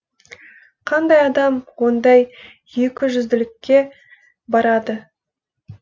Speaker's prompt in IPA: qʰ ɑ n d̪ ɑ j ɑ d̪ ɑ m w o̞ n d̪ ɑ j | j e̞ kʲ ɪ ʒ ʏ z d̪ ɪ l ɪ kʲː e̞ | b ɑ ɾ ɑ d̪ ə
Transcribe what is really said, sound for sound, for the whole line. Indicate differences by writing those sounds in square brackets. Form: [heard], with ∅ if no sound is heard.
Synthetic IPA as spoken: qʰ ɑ n d̪ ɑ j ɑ d̪ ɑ m w o̞ n d̪ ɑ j | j e̞ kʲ ɪ ʒ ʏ z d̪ ɪ l ɪ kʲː e̞ | b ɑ ɾ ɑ d̪ ə